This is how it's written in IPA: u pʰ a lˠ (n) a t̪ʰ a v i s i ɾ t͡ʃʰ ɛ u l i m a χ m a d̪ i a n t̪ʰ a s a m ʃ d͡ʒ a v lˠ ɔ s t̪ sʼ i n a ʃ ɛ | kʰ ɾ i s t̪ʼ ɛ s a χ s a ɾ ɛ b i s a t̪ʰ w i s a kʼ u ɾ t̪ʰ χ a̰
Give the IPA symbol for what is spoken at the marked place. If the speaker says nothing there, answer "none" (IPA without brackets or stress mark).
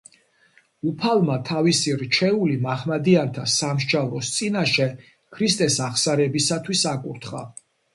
m